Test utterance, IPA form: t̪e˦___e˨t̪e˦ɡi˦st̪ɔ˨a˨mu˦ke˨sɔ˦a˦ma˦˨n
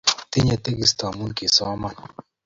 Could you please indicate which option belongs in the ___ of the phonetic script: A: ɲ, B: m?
A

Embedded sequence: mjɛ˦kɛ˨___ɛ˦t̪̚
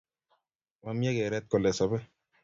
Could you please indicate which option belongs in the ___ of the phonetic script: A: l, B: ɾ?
B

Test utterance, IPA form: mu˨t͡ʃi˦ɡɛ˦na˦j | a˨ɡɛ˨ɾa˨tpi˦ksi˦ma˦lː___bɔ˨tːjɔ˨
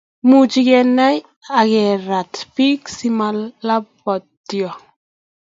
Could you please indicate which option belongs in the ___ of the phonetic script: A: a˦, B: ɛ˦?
A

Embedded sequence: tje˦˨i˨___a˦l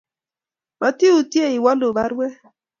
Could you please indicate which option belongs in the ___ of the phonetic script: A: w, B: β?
A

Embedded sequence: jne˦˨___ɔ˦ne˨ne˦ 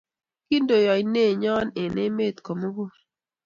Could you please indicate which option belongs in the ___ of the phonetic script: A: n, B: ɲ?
B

